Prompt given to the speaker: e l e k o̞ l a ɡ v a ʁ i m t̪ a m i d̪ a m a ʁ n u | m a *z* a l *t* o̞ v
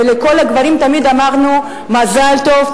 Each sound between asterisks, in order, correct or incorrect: correct, correct

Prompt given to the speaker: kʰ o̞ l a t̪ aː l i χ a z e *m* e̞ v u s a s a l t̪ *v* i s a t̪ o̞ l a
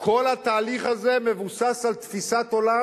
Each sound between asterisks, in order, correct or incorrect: correct, incorrect: f

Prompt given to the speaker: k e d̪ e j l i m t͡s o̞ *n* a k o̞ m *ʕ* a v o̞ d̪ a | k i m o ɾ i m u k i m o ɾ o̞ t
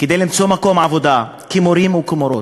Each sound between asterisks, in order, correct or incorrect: incorrect: m, correct

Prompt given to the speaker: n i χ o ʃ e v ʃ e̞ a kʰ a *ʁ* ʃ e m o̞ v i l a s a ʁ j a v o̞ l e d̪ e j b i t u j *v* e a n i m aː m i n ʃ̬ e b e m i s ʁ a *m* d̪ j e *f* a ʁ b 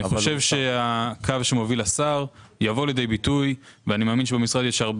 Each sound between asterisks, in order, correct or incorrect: incorrect: v, correct, incorrect: none, incorrect: ʃ

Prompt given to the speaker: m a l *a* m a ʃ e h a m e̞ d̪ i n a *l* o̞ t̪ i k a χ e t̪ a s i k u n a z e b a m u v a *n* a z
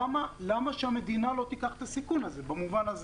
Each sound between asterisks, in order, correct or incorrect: correct, correct, correct

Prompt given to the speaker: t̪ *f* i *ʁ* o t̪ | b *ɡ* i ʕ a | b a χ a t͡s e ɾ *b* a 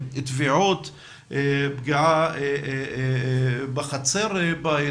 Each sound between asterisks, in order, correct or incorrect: incorrect: v, incorrect: ʕ, correct, correct

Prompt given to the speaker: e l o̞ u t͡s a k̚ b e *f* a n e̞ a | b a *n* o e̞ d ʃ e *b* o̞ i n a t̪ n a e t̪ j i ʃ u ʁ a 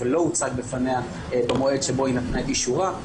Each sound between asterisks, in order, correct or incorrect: correct, incorrect: m, correct

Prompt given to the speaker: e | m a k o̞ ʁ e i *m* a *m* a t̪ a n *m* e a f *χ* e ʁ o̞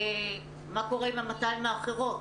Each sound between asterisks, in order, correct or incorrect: correct, correct, correct, correct

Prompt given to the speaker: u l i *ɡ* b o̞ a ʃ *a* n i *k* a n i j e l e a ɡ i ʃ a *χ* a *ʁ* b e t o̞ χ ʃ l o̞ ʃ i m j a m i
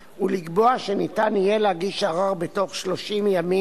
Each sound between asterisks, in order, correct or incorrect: correct, incorrect: e, incorrect: t, incorrect: ʁ, correct

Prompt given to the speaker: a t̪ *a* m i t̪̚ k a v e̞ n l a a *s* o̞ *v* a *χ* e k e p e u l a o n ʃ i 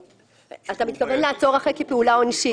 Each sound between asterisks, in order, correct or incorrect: correct, incorrect: t͡s, incorrect: ʁ, correct

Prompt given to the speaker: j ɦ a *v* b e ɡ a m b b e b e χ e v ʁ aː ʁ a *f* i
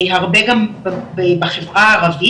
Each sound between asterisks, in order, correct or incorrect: incorrect: ʁ, incorrect: v

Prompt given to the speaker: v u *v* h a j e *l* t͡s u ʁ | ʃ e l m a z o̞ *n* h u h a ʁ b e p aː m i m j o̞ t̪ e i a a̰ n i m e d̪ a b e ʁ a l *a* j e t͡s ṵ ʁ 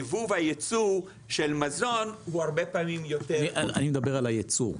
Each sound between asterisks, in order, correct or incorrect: correct, incorrect: none, correct, correct

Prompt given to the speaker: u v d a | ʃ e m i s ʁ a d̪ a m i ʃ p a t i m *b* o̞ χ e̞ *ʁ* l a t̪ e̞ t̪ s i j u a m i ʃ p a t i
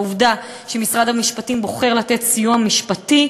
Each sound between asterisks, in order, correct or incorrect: correct, correct

